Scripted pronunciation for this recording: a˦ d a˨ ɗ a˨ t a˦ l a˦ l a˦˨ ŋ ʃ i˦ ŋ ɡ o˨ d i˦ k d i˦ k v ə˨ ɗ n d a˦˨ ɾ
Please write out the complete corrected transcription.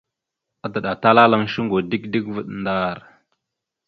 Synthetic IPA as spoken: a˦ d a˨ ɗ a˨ t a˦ l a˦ l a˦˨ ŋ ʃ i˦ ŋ ɡ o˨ d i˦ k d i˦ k v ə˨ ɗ n d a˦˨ ɾ

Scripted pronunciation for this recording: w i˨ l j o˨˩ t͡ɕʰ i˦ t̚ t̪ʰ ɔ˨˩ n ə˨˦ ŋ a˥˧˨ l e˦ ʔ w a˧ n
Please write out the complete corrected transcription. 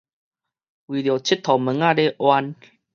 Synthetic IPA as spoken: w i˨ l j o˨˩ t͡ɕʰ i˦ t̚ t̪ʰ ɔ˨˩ m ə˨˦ ŋ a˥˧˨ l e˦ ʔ w a˧ n

